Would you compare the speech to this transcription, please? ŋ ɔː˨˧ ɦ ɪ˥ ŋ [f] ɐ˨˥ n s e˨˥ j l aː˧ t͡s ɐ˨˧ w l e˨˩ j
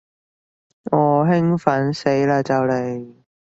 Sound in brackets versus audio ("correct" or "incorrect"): correct